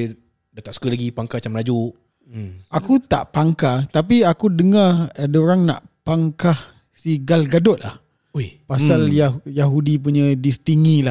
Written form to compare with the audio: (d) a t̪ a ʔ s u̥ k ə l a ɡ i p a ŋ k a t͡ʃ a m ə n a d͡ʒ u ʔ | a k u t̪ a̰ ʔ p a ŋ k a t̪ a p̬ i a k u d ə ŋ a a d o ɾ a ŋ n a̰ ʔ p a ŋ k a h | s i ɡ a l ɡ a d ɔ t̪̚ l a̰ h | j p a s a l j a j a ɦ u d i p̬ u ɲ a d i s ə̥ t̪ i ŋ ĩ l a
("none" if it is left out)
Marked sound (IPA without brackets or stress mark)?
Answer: d